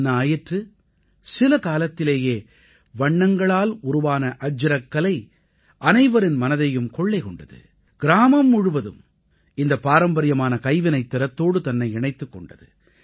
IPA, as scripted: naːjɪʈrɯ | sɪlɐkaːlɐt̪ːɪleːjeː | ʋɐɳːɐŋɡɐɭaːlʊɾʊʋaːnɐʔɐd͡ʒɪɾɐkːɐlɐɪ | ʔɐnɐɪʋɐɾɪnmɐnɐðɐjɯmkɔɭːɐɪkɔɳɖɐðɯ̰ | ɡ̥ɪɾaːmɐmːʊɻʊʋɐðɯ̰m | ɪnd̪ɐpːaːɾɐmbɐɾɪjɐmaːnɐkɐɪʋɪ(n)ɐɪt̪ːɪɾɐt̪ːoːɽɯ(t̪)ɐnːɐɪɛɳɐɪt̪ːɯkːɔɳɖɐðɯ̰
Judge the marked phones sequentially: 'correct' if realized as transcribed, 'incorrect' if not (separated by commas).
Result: correct, correct